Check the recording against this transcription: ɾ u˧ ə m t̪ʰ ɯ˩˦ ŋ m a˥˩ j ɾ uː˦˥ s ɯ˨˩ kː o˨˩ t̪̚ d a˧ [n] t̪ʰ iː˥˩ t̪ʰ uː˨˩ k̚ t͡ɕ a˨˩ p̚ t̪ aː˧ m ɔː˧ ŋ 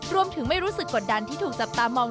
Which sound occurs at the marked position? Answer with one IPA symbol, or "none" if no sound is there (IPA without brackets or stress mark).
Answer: n